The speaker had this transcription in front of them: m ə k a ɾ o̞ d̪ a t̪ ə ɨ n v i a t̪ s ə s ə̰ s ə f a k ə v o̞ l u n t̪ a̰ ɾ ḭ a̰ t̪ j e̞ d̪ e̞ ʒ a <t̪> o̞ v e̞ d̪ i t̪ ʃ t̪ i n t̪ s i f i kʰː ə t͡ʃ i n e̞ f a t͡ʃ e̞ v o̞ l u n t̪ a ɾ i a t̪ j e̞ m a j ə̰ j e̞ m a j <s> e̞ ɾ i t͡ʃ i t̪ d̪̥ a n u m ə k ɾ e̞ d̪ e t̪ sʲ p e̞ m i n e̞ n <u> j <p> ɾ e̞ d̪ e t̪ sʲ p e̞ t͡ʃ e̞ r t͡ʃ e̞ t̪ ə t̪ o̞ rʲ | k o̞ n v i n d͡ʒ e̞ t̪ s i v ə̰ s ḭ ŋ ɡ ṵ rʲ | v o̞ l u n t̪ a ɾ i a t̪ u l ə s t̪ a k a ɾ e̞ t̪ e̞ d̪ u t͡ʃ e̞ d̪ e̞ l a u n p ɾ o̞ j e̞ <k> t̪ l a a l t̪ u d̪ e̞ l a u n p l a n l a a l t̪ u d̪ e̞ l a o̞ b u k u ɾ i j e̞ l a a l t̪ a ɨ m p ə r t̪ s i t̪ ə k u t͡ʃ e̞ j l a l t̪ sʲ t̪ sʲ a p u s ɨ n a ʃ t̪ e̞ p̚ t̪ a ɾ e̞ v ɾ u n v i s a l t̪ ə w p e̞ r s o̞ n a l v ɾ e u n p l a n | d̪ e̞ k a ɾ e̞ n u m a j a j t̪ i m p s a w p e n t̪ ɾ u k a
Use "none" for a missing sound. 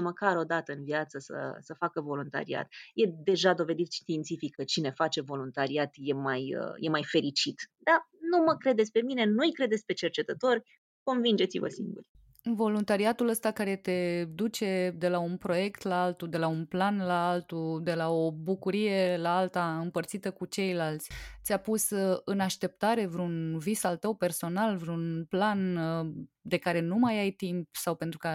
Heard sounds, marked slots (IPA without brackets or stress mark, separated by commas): d̪, f, u, k, k